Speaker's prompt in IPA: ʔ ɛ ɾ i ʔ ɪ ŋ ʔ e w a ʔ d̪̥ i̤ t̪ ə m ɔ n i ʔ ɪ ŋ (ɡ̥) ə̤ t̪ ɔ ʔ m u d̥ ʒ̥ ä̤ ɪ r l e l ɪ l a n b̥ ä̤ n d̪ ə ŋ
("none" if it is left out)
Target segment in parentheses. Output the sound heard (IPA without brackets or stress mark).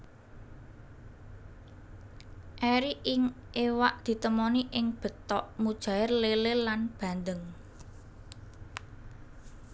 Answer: b̥